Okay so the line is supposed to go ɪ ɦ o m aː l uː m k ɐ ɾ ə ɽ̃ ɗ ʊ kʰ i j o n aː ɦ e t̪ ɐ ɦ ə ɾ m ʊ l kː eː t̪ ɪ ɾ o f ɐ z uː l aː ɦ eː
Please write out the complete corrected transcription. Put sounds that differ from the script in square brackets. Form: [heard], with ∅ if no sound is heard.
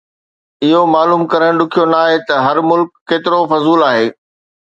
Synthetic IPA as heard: ɪ ɦ o m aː l uː m k ɐ ɾ ə ɽ̃ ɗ ʊ kʰ i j o n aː ɦ e t̪ ɐ ɦ [ɐ] ɾ m ʊ l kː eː t̪ ɪ ɾ o f ɐ z uː l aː ɦ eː